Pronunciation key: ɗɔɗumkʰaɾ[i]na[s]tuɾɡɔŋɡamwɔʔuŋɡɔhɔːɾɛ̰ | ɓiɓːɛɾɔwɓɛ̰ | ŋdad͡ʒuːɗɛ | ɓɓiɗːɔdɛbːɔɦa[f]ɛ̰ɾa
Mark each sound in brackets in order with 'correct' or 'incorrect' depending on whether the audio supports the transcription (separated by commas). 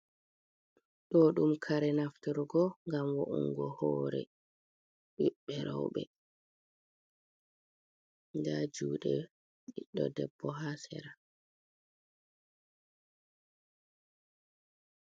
incorrect, incorrect, incorrect